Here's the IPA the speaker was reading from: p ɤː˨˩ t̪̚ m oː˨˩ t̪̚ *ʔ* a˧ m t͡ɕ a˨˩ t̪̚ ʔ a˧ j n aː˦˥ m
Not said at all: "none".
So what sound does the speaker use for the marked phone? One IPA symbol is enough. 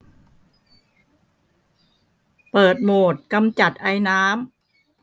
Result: k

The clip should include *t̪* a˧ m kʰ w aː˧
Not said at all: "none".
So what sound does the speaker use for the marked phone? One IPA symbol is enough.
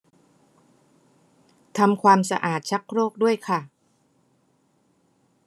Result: t̪ʰ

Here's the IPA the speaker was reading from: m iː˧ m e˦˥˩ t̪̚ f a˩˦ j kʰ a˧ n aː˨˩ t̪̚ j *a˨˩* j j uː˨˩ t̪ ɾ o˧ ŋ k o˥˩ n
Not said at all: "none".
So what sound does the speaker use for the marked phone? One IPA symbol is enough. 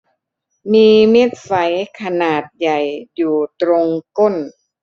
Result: a˨˩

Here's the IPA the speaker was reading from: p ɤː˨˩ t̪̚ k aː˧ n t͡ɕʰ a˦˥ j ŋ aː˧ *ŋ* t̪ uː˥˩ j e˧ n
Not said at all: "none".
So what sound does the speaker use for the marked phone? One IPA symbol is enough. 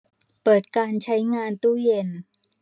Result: n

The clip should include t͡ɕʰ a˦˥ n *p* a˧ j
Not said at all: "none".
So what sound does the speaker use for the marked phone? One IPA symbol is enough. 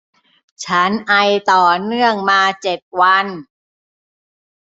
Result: ʔ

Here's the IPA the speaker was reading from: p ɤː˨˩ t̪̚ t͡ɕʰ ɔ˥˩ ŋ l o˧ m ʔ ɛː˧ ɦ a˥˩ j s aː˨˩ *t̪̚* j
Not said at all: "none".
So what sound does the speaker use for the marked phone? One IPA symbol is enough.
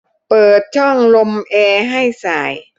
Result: none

